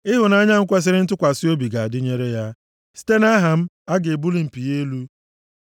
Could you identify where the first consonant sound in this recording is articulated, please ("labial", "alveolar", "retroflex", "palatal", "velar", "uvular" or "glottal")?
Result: glottal